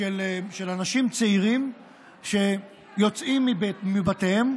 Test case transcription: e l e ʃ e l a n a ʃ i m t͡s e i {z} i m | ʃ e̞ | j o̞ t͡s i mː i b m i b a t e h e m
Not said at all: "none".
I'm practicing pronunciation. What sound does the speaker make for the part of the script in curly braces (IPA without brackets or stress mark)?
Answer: ʁ